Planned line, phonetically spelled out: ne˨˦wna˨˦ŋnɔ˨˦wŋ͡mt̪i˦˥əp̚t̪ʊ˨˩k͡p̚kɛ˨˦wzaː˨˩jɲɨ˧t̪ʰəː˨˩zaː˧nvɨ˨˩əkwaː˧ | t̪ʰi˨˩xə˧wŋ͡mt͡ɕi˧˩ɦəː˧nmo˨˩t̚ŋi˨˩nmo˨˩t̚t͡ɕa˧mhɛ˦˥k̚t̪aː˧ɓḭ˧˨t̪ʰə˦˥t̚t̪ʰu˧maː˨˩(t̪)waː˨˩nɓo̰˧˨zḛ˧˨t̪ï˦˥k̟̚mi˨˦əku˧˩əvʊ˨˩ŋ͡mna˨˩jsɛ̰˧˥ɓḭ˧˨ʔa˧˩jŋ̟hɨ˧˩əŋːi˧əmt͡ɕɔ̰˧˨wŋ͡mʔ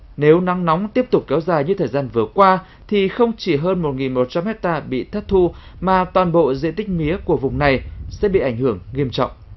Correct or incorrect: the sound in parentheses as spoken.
correct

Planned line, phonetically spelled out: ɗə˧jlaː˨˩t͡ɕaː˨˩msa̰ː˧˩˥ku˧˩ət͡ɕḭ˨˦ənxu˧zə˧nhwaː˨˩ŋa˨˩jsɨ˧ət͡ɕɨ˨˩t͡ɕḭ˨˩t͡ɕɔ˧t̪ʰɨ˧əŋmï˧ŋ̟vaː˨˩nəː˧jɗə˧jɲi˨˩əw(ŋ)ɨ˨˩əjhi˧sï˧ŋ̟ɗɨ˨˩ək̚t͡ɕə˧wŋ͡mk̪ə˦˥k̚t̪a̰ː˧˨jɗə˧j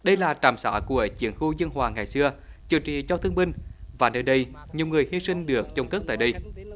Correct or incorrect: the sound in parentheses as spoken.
correct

